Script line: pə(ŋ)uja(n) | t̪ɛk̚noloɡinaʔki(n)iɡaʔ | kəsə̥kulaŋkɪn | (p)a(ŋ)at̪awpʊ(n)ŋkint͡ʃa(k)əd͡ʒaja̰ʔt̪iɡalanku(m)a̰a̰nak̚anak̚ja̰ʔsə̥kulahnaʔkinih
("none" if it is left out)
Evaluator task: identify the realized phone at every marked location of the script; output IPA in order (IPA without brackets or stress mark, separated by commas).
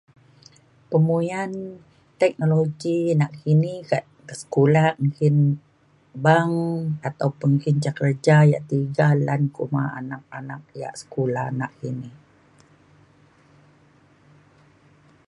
m, n, n, b, ŋ, n, k, m